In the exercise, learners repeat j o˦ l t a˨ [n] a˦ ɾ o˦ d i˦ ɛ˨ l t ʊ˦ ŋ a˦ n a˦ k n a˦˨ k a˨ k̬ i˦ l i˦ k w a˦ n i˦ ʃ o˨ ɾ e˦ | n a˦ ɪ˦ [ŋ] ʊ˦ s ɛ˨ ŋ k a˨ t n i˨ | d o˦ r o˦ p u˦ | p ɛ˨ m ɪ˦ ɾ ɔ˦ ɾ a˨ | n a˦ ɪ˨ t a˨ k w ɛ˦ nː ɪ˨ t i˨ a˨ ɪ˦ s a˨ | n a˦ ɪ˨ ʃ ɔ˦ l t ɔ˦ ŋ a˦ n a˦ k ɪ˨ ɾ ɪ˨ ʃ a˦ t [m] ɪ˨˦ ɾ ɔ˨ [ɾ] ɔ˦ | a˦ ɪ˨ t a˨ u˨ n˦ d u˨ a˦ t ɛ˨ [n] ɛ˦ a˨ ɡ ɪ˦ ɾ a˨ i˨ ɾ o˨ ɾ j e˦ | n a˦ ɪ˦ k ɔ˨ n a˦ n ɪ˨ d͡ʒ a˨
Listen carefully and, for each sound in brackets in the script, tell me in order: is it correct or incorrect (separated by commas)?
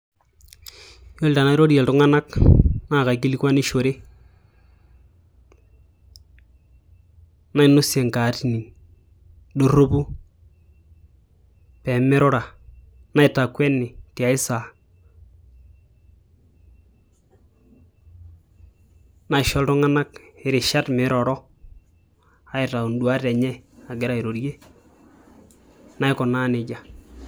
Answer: correct, incorrect, correct, correct, incorrect